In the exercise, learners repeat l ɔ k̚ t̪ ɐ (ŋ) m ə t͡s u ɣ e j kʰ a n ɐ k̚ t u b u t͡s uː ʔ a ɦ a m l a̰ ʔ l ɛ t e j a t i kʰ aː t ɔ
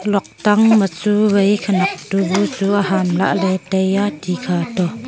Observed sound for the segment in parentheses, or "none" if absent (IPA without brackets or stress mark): ŋ